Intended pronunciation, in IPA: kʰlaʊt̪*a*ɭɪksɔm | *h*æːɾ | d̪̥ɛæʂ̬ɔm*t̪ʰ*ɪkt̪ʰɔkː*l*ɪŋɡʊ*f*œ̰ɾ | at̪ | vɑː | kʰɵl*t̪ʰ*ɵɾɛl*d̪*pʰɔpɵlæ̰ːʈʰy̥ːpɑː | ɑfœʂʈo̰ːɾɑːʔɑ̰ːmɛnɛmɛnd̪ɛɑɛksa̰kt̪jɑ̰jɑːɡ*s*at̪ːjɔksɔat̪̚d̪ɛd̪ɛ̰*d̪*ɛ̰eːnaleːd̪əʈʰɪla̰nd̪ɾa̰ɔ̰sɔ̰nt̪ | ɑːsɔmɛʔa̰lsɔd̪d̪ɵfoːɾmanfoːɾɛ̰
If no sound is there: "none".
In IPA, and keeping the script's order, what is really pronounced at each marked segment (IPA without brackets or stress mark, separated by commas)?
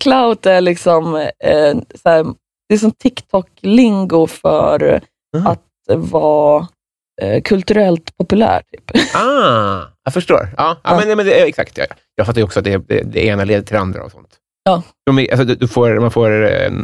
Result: æ, s, t̪ʰ, l, f, t̪, t̪, f, d̪